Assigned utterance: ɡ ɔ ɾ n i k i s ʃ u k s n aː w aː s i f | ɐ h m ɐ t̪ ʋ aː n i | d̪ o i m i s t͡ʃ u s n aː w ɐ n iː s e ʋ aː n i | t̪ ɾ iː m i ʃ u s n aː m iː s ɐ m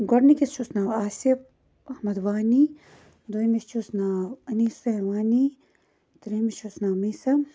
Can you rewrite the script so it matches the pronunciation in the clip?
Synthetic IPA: ɡ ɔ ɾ n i k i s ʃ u s n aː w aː s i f | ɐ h m ɐ d̪ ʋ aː n i | d̪ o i m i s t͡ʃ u s n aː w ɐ n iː s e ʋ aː n i | t̪ ɾ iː m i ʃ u s n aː m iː s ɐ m